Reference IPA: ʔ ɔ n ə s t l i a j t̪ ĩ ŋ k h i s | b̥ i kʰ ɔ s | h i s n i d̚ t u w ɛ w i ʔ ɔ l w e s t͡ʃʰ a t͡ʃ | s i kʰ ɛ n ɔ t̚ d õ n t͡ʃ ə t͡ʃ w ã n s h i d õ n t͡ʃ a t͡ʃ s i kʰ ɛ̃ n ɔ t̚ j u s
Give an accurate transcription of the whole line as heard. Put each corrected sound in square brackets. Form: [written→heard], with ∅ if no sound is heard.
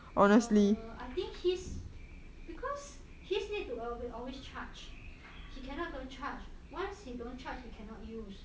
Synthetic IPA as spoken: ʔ ɔ n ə s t l i a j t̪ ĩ ŋ k h i s | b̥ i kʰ ɔ s | h i s n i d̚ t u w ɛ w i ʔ ɔ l w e s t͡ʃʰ a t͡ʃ | [s→h] i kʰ ɛ n ɔ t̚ d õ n t͡ʃ [ə→a] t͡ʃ w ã n s h i d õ n t͡ʃ a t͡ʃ [s→h] i kʰ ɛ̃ n ɔ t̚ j u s

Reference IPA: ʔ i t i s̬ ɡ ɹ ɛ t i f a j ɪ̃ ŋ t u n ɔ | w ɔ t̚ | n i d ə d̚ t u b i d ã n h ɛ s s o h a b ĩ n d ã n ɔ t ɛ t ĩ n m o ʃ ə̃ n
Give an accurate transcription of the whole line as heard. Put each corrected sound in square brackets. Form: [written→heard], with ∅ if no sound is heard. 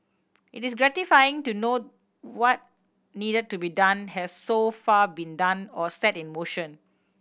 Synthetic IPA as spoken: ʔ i t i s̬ ɡ ɹ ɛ t i f a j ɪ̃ ŋ t u n [ɔ→o] | w ɔ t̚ | n i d ə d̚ t u b i d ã n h ɛ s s o [h→f] a b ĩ n d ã n ɔ [t→s] ɛ t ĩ n m o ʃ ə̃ n

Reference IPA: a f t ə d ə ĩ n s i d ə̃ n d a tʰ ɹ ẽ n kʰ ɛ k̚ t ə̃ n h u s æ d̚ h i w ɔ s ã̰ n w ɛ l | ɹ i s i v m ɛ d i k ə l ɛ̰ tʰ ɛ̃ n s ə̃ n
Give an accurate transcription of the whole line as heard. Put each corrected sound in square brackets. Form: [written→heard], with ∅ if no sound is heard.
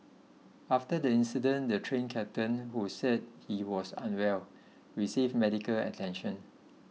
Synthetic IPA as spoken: a f t ə d ə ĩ n s i d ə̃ n d [a→ə] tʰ ɹ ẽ n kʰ ɛ [k̚→p̚] t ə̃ n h u s [æ→ɛ] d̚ h i w ɔ s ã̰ n w ɛ l | ɹ i s i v m ɛ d i k ə l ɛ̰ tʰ ɛ̃ n [s→ʃ] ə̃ n

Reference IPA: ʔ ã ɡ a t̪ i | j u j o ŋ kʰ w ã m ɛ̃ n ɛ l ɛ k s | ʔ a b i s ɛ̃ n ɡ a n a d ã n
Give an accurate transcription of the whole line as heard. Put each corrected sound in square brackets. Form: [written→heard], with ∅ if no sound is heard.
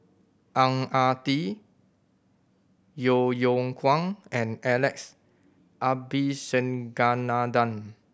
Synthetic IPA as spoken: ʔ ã [ɡ→ŋ] a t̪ i | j [u→o] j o ŋ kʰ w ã [m→ŋ] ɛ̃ n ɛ l ɛ k s | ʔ a b i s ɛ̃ n ɡ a n a d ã n

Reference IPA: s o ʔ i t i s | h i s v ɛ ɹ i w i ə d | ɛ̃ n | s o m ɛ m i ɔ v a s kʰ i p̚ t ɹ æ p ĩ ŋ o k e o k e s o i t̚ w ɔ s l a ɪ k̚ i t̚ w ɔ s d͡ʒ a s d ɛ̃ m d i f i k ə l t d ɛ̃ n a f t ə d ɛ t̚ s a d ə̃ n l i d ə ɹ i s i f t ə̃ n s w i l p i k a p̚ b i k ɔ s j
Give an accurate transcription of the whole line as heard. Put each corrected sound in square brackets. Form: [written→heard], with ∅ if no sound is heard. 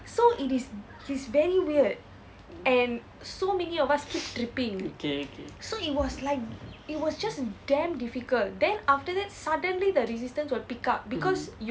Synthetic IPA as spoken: s o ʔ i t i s | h i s v ɛ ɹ i w i ə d | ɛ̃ n | s o m ɛ [m→n] i ɔ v a s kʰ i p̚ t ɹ [æ→i] p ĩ ŋ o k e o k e s o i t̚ w ɔ s l a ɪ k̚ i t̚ w ɔ s d͡ʒ a s d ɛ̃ m d i f i k ə l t d ɛ̃ n a f t ə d ɛ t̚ s a d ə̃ n l i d ə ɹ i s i [f→s] t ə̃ n s w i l p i k a p̚ b i k ɔ s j

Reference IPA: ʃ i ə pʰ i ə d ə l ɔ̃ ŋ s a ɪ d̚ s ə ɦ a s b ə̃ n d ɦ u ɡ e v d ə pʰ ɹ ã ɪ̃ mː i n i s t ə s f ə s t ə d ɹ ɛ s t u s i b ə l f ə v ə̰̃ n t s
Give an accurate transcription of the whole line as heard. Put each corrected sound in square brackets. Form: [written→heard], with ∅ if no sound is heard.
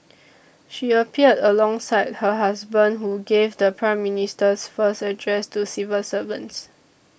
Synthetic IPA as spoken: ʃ i ə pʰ i ə d ə l ɔ̃ ŋ s a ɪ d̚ [s→h] ə ɦ a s b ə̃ n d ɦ u ɡ e v d ə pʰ ɹ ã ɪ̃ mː i n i s t ə s f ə s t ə d ɹ ɛ s t u s i [b→v] ə l [f→s] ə v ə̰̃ n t s

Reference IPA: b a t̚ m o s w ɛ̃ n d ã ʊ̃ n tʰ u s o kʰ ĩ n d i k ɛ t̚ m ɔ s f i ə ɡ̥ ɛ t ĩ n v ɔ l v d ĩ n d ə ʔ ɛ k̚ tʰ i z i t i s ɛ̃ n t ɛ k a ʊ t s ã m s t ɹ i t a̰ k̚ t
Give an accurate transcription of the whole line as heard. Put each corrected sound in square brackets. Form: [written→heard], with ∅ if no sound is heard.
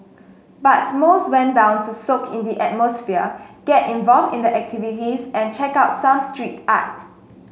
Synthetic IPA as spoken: b a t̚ m o s w ɛ̃ n d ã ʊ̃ n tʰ u s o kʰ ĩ n d i [k→ʔ] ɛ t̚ m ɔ s f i ə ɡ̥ ɛ t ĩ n v ɔ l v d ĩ n d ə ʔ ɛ k̚ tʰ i [z→v] i t i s ɛ̃ n [t→t͡ʃ] ɛ k a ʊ t s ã m s t ɹ i t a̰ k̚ t

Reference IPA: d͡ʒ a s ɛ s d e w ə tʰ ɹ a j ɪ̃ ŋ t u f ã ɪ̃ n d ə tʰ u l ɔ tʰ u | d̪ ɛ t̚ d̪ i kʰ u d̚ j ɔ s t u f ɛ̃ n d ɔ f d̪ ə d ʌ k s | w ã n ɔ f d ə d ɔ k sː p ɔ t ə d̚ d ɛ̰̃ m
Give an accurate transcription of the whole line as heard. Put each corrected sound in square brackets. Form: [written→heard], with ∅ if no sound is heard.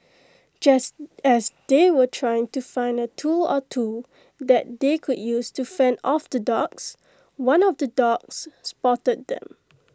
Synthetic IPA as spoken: d͡ʒ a s ɛ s d e w ə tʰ ɹ a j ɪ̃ ŋ t u f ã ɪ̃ n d ə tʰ u l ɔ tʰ u | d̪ ɛ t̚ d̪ [i→e] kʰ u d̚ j [ɔ→u] s t u f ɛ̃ n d ɔ f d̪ ə d [ʌ→ɔ] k s | w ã n ɔ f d ə d ɔ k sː p ɔ t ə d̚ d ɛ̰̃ m

